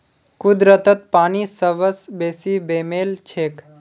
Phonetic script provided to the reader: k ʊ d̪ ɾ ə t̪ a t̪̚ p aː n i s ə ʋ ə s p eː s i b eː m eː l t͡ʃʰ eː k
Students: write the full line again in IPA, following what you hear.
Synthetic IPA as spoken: k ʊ d̪ ɾ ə t̪ ə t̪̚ p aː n i s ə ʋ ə s b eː s i b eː m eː l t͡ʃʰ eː k